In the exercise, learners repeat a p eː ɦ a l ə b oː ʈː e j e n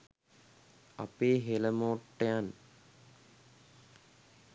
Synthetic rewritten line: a p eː ɦ e l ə m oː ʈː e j a n